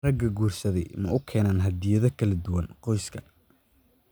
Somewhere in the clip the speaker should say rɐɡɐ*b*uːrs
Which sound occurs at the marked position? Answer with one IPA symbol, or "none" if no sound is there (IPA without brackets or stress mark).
ɡ